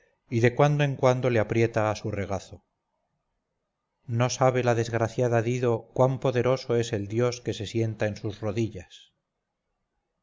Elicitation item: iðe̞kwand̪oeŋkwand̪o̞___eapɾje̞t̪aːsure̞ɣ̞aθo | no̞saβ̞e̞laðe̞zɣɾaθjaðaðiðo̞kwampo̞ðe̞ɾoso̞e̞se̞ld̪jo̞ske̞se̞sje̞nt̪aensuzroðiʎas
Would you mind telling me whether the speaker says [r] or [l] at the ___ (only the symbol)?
l